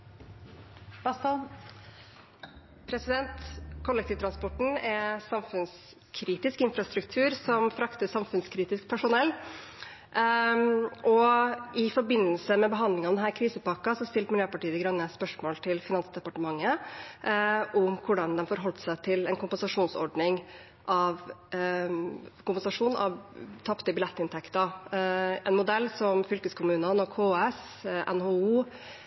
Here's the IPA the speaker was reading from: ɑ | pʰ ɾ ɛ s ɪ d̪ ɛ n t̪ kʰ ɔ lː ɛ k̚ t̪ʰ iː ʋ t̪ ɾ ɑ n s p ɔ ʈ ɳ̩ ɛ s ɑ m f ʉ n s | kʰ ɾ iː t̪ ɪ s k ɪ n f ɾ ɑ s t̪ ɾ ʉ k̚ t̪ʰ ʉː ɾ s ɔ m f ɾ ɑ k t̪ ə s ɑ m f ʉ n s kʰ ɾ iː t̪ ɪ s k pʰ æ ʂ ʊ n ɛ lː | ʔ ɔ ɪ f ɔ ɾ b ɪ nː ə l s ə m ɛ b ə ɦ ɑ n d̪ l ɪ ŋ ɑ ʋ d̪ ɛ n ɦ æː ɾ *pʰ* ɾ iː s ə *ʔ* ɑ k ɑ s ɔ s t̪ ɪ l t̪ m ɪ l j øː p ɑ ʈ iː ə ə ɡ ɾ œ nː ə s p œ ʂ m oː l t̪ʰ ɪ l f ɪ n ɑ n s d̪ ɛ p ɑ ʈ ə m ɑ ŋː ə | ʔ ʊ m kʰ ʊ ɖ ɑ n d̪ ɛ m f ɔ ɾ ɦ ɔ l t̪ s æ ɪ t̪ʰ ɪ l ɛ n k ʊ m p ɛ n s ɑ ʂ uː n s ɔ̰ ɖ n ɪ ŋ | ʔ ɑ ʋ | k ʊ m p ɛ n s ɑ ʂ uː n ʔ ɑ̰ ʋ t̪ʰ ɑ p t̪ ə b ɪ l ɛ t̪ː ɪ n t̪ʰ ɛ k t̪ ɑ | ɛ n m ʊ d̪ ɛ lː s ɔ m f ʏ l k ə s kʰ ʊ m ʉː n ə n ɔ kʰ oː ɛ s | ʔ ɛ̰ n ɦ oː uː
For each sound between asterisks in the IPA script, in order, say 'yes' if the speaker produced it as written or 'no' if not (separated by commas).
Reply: no, no